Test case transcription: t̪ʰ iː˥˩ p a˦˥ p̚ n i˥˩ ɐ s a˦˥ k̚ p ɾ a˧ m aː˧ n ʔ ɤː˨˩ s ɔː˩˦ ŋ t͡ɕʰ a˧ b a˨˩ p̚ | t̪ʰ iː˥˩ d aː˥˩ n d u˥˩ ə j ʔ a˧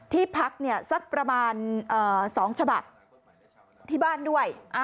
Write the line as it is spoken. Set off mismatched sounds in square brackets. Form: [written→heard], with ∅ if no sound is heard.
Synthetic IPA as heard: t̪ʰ iː˥˩ [p→pʰ] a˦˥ [p̚→k̚] n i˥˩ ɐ s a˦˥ k̚ p ɾ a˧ m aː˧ n ʔ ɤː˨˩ s ɔː˩˦ ŋ t͡ɕʰ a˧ b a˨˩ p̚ | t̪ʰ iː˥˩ [d→b] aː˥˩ n d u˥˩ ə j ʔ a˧